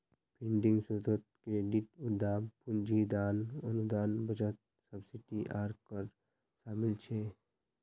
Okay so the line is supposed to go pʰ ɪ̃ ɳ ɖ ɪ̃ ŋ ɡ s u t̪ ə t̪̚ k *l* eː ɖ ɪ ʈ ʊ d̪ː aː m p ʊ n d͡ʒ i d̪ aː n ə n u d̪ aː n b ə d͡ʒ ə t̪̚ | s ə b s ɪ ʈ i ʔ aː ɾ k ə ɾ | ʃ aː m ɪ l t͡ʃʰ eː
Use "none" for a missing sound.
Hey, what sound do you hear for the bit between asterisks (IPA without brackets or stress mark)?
ɾ